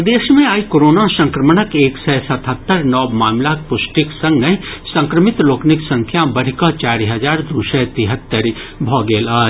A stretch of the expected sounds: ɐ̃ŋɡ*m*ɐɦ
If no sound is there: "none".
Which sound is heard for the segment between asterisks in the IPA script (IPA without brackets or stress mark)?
n